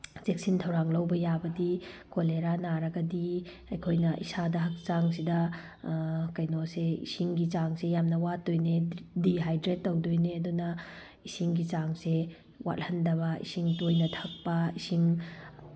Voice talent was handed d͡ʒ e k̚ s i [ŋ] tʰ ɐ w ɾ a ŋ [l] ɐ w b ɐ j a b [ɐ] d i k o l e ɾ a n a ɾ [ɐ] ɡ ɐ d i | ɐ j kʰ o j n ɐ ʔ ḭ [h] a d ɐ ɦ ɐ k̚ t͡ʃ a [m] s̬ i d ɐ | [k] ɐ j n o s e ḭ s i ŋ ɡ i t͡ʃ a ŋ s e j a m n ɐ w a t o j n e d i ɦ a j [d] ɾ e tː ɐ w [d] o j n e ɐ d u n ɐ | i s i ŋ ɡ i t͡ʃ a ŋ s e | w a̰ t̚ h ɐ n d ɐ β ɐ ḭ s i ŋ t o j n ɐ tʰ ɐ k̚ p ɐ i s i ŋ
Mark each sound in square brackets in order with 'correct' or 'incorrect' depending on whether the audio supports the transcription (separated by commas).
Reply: incorrect, correct, correct, correct, incorrect, incorrect, correct, correct, correct